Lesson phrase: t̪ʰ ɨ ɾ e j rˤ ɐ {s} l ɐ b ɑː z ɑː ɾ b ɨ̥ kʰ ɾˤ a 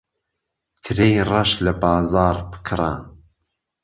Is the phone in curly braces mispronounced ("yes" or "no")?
yes